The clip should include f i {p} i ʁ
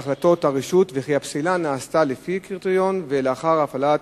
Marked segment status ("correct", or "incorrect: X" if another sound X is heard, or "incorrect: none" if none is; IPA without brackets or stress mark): incorrect: k